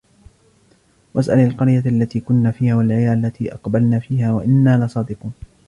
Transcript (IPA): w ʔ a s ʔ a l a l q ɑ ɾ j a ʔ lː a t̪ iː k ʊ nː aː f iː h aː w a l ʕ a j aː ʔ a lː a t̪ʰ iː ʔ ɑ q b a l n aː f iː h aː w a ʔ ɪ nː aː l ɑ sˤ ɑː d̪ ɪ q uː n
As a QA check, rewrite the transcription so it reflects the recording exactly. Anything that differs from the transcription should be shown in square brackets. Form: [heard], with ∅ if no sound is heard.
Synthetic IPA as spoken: w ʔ a s ʔ a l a l q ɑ ɾ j a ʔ lː a t̪ iː k ʊ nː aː f iː h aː w a l ʕ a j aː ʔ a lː a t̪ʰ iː ʔ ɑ q b a l n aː f iː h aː w a ʔ ɪ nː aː l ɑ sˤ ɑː d̪ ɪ q uː n